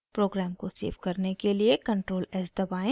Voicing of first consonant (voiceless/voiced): voiceless